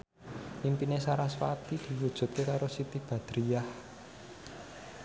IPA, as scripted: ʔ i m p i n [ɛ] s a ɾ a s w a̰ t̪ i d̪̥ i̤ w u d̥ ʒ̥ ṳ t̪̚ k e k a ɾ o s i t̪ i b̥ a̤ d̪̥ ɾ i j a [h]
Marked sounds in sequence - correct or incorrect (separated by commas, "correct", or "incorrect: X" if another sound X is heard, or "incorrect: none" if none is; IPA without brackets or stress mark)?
incorrect: e, correct